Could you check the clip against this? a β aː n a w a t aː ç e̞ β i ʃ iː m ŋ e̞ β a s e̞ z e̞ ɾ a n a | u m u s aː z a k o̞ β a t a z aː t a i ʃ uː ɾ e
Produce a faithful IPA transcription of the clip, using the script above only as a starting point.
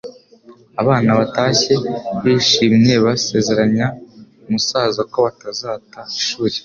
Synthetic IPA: a β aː n a β a t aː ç e̞ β i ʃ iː m ɲ e̞ β a s e̞ z e̞ ɾ a ɲ a | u m u s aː z a k o̞ β a t a z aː t a i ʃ uː ɾ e